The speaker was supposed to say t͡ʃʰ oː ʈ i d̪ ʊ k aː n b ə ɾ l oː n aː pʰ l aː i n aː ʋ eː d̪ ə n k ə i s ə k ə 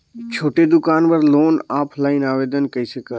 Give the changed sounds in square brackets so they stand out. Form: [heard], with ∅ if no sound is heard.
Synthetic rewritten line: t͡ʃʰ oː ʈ [e] d̪ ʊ k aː n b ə ɾ l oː n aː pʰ l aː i n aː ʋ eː d̪ ə n k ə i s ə k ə